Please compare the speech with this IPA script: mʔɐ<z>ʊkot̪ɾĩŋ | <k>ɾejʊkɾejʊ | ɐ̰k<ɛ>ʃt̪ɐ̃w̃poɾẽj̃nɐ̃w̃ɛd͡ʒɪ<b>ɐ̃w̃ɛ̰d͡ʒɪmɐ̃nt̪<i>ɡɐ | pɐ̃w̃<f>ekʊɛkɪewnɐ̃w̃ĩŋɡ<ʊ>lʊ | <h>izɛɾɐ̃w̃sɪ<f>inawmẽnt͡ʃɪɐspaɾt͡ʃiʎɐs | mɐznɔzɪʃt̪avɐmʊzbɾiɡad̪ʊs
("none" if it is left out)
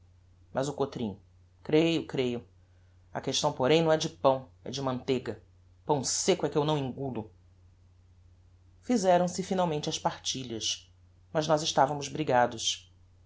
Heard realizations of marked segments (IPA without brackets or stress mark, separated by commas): z, k, e, p, e, s, u, f, f